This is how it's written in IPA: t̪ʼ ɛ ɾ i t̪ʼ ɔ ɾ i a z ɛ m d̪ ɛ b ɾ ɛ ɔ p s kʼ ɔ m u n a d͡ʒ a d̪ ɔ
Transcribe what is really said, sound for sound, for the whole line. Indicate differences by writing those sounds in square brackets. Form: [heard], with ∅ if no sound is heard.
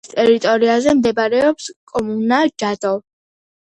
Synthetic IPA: t̪ʼ ɛ ɾ i t̪ʼ ɔ ɾ i a z ɛ m d̪ ɛ b ɾ ɛ ɔ p s kʼ ɔ m u n a d͡ʒ a d̪ ɔ